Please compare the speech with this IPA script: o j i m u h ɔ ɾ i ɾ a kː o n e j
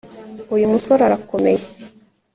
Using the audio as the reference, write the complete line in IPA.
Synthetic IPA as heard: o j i m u s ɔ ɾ a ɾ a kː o m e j